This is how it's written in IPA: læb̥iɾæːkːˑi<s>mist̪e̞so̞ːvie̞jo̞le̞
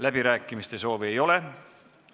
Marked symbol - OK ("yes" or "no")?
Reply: no